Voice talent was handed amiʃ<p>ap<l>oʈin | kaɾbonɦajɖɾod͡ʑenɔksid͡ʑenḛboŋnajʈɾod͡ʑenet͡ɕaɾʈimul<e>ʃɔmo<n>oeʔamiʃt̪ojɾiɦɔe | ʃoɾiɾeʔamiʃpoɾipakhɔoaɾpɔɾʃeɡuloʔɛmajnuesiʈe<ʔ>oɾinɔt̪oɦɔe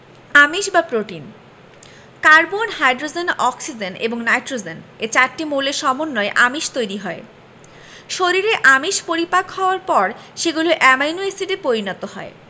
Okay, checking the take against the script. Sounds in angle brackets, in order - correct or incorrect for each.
incorrect, incorrect, correct, incorrect, incorrect

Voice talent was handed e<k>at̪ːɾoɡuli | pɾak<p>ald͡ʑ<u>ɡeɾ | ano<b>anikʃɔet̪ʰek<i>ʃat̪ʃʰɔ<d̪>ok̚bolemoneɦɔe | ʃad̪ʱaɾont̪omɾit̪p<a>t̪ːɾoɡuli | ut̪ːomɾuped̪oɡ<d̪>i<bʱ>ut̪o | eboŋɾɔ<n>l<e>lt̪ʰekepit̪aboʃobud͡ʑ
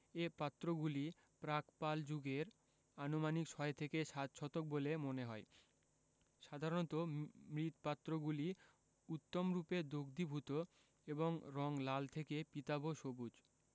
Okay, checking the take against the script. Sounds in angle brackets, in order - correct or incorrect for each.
incorrect, correct, correct, incorrect, incorrect, incorrect, correct, correct, correct, incorrect, incorrect

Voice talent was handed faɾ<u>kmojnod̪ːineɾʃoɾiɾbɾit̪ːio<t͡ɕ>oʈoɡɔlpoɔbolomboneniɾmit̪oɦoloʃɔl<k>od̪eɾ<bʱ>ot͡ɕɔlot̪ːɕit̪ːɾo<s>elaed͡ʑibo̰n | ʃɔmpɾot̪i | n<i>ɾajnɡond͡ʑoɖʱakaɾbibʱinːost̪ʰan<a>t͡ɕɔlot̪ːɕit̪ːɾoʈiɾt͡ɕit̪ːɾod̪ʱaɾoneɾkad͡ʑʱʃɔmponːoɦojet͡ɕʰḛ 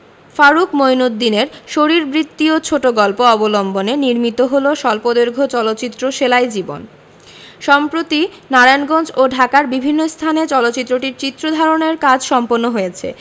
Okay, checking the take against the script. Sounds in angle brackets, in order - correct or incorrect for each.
correct, incorrect, incorrect, incorrect, incorrect, incorrect, incorrect

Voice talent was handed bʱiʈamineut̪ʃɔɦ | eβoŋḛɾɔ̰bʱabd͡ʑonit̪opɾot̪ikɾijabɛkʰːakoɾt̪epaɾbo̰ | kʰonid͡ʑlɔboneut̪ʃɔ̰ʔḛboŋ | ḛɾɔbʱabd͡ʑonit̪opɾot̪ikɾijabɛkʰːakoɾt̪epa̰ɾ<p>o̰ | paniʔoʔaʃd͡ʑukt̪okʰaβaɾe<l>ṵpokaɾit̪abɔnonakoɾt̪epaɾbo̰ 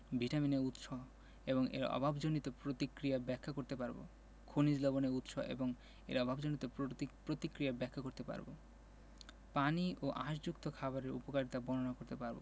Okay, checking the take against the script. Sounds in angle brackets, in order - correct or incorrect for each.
incorrect, incorrect

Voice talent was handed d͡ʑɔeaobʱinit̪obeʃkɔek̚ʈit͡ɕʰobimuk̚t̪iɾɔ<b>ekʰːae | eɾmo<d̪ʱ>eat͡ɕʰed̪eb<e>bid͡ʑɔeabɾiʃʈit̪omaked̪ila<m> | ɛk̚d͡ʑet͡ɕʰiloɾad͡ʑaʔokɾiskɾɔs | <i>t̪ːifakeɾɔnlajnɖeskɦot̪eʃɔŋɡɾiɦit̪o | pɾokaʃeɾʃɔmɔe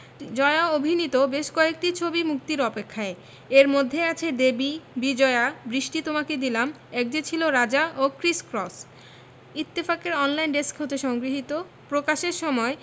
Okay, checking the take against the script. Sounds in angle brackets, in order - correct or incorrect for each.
incorrect, incorrect, incorrect, correct, correct

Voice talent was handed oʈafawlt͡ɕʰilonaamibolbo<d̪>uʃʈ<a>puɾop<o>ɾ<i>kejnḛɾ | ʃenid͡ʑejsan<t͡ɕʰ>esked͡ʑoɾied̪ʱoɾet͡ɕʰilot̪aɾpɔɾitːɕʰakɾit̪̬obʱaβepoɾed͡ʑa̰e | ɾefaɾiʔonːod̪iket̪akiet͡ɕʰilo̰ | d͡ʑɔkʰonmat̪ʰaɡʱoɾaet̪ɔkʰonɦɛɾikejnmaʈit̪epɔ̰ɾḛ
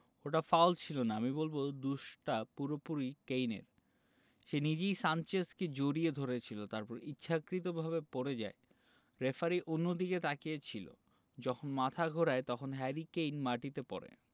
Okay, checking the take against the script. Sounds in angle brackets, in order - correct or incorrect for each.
correct, correct, incorrect, correct, incorrect

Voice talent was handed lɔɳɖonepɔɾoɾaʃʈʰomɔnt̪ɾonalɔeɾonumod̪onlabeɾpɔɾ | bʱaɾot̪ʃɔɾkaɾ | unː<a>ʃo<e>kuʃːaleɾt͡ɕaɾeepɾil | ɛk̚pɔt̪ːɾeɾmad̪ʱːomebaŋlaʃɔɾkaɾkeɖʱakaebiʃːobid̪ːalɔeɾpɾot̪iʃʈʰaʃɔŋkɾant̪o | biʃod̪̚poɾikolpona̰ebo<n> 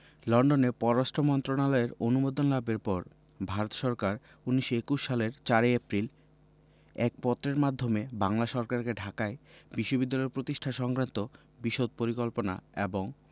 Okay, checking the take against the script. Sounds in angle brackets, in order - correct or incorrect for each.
incorrect, correct, incorrect

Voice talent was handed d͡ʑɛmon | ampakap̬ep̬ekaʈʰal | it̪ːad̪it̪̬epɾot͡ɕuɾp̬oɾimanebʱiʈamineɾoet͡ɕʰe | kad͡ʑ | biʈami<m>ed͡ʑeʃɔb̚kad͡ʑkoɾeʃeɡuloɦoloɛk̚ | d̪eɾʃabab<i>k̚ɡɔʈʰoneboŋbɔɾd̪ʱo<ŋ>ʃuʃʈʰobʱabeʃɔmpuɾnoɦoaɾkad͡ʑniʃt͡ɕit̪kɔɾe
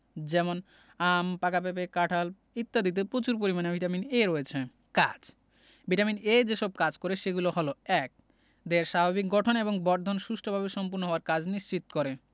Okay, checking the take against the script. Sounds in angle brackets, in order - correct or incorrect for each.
incorrect, correct, incorrect

